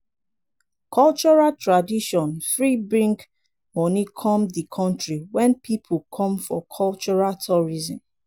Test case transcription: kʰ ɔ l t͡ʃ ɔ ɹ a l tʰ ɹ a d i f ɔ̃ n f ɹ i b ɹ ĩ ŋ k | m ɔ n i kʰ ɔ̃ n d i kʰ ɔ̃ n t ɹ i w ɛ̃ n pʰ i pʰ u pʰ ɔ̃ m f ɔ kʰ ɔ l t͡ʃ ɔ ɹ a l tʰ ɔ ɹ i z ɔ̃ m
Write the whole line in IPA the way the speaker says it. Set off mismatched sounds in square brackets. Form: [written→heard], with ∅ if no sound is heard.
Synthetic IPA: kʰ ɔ l t͡ʃ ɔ ɹ a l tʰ ɹ a d i [f→ʃ] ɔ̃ n f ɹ i b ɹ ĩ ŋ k | m ɔ n i kʰ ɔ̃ [n→m] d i kʰ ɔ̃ n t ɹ i w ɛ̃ n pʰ i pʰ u [pʰ→kʰ] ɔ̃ m f ɔ kʰ ɔ l t͡ʃ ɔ ɹ a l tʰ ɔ ɹ i z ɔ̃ m